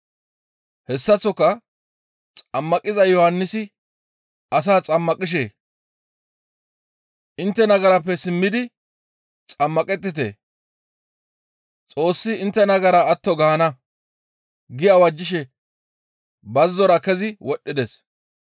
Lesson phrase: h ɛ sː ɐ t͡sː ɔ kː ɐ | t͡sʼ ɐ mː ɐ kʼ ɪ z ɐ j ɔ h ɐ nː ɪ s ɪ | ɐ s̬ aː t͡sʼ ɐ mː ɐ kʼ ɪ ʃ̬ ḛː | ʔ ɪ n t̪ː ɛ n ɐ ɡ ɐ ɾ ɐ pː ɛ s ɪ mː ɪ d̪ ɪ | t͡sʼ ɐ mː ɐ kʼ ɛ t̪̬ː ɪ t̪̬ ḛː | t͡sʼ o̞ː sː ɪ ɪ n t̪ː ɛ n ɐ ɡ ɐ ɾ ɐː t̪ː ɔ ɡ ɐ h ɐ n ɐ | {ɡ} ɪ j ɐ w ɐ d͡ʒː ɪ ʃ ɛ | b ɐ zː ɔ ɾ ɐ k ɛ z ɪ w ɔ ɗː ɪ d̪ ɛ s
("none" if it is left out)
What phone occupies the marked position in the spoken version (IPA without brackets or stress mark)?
ɡ